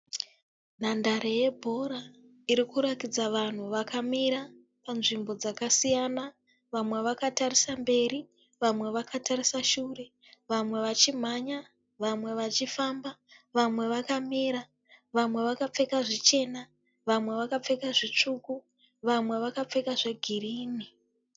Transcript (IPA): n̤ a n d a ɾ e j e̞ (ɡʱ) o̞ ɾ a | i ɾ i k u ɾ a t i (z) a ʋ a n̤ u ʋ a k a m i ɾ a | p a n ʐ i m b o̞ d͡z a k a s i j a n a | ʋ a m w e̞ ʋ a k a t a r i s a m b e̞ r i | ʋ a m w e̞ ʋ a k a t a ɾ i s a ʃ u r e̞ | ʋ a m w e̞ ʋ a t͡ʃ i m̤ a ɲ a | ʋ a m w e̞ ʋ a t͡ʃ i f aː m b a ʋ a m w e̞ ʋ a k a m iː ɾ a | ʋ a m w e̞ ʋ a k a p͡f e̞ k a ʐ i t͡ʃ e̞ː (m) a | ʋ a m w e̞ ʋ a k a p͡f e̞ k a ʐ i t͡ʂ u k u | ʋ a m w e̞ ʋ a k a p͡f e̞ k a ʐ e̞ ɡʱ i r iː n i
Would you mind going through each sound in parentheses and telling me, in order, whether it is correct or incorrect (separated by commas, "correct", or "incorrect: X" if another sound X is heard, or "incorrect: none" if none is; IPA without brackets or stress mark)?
incorrect: bʱ, incorrect: d͡z, incorrect: n